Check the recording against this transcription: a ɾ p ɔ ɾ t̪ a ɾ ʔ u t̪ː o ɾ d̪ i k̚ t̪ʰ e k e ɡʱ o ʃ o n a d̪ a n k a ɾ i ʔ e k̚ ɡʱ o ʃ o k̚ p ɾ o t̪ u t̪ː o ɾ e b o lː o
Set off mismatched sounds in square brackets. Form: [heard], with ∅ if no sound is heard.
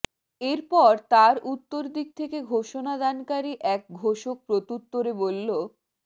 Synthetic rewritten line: [e] ɾ p ɔ ɾ t̪ a ɾ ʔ u t̪ː o ɾ d̪ i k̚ t̪ʰ e k e ɡʱ o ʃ o n a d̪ a n k a ɾ i ʔ [ɛ] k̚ ɡʱ o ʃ o k̚ p ɾ o t̪ u t̪ː o ɾ e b o lː o